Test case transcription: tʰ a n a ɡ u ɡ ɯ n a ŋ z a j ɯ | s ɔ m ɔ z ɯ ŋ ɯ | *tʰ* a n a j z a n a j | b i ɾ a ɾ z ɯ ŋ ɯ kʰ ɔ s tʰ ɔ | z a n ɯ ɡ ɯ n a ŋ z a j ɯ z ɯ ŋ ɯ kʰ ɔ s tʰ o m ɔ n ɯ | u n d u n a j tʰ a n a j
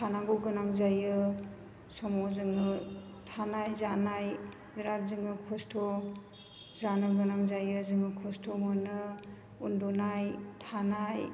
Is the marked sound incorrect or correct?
correct